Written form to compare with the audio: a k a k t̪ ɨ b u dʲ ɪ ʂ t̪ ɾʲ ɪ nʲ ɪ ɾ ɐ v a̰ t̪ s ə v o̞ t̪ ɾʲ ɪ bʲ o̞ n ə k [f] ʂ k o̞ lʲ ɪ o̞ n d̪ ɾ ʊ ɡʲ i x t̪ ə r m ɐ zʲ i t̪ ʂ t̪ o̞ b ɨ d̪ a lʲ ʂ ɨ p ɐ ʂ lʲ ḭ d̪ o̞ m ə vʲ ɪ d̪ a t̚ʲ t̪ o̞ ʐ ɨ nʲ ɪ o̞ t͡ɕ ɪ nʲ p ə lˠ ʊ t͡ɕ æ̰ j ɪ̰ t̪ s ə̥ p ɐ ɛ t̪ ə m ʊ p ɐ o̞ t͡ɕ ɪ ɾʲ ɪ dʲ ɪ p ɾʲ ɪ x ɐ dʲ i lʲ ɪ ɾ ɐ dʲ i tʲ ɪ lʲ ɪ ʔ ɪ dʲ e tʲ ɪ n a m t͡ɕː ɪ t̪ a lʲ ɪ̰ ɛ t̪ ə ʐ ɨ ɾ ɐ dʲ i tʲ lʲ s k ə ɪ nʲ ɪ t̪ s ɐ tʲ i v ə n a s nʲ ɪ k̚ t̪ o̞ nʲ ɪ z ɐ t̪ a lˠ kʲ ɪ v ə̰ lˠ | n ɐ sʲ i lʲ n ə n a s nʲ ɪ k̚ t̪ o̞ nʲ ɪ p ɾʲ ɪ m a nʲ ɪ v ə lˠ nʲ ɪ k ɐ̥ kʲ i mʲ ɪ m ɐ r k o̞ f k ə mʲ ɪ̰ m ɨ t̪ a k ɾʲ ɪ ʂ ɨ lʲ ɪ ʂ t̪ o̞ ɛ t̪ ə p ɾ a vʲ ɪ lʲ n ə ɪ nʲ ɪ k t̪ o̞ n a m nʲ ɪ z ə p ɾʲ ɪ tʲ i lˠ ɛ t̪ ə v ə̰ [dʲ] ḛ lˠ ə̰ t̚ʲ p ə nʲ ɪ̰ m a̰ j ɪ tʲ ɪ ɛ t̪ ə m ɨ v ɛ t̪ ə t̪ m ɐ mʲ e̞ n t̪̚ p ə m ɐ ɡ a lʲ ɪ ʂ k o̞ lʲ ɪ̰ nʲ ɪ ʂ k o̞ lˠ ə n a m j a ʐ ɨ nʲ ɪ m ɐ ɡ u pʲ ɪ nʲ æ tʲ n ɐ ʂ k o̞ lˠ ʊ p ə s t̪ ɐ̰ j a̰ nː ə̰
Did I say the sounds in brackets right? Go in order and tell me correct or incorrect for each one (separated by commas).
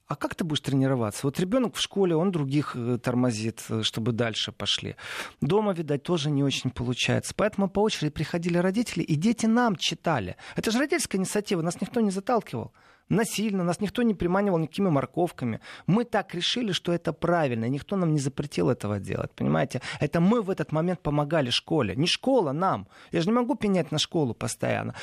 correct, correct